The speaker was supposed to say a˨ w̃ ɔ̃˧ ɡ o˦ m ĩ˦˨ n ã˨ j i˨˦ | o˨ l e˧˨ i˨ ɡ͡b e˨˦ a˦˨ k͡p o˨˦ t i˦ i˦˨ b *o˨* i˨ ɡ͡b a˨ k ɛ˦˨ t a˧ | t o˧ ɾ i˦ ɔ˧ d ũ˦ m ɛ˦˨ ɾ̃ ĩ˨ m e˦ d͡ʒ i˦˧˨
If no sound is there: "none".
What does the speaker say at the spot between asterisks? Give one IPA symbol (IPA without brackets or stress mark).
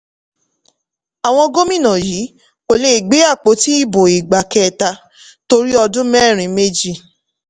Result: o˨